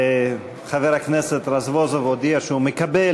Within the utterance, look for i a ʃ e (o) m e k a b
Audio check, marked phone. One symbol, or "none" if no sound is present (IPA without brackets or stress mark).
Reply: u